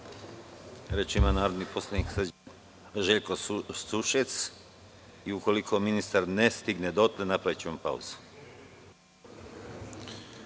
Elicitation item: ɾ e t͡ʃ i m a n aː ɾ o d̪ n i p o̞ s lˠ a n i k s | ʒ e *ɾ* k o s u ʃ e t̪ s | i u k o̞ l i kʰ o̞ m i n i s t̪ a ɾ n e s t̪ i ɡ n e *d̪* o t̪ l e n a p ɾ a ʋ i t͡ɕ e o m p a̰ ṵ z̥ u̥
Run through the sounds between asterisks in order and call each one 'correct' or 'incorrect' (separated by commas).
incorrect, correct